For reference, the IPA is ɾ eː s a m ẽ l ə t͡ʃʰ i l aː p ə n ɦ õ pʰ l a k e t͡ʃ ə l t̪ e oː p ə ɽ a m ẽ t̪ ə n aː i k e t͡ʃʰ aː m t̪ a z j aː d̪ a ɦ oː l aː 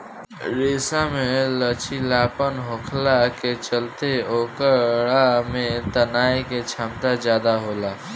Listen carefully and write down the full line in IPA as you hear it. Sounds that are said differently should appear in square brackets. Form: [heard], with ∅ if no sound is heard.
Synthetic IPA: ɾ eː s a m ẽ l ə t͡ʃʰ i l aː p ə n ɦ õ [kʰ] l a k e t͡ʃ ə l t̪ e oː [k] ə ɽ a m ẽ t̪ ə n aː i k e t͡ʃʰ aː m t̪ a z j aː d̪ a ɦ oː l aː